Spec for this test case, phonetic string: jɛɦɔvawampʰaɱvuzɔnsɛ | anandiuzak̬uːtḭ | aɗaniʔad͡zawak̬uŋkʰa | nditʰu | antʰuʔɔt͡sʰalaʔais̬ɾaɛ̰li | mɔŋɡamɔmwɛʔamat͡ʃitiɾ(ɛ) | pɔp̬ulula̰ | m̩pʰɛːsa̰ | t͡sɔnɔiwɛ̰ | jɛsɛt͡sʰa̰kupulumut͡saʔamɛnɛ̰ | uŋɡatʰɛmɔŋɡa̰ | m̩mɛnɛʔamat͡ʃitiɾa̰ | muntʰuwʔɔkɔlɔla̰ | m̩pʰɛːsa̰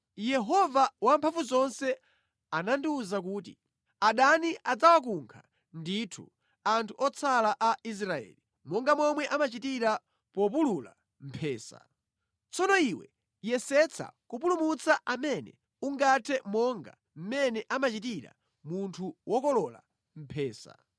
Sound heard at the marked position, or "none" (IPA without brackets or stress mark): a